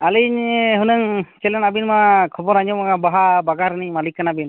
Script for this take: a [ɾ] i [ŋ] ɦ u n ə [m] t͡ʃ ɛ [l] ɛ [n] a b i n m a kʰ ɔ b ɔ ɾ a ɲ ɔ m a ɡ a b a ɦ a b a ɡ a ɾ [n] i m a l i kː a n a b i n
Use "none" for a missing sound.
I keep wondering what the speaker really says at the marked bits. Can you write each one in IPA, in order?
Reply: l, ɲ, ŋ, l, n, n

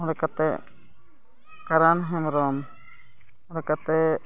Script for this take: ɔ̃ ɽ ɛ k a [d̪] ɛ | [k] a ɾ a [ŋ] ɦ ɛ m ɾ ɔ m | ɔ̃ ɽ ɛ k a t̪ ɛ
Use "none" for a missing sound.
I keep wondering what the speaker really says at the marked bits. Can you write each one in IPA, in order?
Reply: t̪, k, n

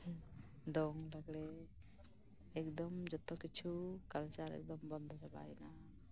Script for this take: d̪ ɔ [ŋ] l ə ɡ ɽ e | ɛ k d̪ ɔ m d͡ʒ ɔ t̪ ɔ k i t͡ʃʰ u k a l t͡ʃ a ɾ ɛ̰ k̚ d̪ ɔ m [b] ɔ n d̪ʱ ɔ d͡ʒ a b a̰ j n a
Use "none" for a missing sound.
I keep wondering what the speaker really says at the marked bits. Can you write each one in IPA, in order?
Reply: ŋ, b

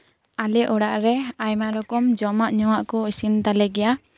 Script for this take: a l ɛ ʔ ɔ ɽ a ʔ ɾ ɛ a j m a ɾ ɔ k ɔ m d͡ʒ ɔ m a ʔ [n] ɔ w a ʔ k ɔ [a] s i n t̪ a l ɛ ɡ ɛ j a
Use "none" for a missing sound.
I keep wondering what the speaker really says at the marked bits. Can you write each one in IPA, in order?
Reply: ɲ, i

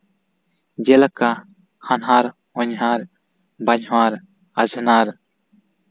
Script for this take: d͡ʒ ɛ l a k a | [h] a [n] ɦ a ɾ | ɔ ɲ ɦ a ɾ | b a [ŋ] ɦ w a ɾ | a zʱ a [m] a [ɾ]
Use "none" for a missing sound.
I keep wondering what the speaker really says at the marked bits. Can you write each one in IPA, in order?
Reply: h, n, ɲ, n, ɾ

